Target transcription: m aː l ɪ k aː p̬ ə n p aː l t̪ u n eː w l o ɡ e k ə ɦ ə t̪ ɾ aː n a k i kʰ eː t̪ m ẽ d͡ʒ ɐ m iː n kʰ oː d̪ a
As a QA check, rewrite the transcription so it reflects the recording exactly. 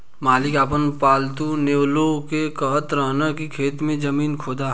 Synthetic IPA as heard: m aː l ɪ k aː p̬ ə n p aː l t̪ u n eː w l o k e k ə ɦ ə t̪ ɾ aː n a k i kʰ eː t̪ m ẽ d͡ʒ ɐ m iː n kʰ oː d̪ a